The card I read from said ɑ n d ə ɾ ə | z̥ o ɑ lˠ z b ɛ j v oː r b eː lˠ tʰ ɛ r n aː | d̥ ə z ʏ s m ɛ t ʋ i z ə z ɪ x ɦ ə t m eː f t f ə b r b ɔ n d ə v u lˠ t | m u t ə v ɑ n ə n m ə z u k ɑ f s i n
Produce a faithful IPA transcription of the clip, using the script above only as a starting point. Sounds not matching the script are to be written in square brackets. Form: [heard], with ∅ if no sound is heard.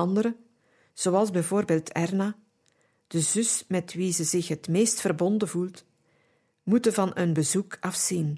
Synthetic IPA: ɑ n d ə ɾ ə | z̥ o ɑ lˠ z b ɛ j v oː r b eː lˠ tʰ ɛ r n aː | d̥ ə z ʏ s m ɛ t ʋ i z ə z ɪ x ɦ ə t m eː [s] t f ə [∅] r b ɔ n d ə v u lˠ t | m u t ə v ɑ n ə n [b] ə z u k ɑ f s i n